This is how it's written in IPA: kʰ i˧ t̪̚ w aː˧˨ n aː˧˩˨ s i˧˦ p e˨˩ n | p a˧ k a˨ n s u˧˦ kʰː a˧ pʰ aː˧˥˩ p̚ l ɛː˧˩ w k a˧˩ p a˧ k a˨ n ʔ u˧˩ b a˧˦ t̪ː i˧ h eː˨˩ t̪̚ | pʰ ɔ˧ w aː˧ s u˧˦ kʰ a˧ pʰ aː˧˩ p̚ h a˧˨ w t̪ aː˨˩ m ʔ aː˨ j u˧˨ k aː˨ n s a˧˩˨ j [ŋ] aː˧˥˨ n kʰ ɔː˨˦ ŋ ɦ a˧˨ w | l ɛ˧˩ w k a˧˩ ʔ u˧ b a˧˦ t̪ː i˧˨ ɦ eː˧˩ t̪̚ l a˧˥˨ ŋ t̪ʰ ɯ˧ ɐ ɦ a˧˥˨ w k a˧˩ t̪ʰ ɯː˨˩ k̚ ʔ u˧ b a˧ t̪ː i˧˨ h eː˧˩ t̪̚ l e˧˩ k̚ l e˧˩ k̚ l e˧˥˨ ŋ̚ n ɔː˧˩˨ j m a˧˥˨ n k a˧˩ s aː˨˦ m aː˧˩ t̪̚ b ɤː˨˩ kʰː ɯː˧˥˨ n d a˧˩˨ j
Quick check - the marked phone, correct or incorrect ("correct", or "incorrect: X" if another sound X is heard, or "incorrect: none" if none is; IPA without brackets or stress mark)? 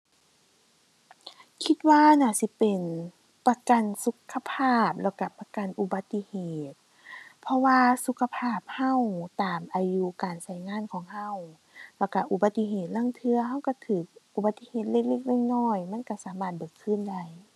correct